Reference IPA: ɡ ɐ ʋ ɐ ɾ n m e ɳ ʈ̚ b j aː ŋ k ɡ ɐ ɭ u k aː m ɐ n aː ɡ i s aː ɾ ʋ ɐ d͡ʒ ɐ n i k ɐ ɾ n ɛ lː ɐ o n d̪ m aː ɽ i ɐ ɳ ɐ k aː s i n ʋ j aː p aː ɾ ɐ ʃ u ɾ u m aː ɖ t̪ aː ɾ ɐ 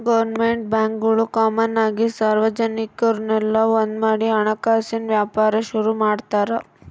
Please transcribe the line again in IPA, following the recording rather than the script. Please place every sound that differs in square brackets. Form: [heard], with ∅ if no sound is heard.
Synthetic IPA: ɡ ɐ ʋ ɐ ɾ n m e ɳ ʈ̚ b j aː ŋ k ɡ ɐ ɭ u k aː m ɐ n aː ɡ i s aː ɾ ʋ ɐ d͡ʒ ɐ n i k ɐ ɾ n ɛ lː ɐ o n d̪ m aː ɽ i ɐ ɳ ɐ k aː s i n ʋ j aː p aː ɾ ɐ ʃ u ɾ u m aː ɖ t̪ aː ɾ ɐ